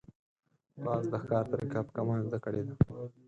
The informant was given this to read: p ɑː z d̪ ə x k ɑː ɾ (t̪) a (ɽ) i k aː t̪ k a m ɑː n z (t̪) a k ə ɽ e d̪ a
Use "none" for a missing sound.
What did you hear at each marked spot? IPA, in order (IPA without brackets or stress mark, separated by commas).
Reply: t̪, ɾ, d̪